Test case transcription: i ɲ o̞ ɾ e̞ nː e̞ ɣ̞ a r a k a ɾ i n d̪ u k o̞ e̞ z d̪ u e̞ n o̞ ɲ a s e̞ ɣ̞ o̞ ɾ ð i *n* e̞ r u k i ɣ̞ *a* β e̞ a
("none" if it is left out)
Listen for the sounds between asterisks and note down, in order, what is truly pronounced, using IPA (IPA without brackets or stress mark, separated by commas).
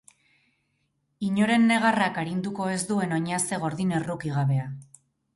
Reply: n, a